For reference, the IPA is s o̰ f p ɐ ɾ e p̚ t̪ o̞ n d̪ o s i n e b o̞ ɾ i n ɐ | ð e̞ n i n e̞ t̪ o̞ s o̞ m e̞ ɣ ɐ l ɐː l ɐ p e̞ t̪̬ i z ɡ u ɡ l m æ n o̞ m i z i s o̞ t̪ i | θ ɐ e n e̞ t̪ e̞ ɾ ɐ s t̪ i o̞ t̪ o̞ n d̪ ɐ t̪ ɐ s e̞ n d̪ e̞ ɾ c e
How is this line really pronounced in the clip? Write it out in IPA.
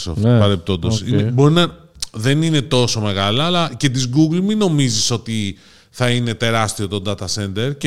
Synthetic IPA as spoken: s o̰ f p ɐ ɾ e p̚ t̪ o̞ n d̪ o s i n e b o̞ ɾ i n ɐ | ð e̞ n i n e̞ t̪ o̞ s o̞ m e̞ ɣ ɐ l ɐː l ɐ c e̞ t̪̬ i z ɡ u ɡ l m i n o̞ m i z i s o̞ t̪ i | θ ɐ i n e̞ t̪ e̞ ɾ ɐ s t̪ i o̞ t̪ o̞ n d̪ ɐ t̪ ɐ s e̞ n d̪ e̞ ɾ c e